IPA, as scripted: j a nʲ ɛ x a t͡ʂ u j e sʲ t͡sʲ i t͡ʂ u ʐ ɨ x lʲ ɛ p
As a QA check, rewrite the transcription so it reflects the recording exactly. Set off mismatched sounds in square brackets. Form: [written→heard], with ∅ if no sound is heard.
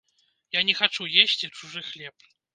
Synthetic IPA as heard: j a nʲ ɛ x a t͡ʂ u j e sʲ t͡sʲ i t͡ʂ u ʐ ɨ x lʲ ɛ p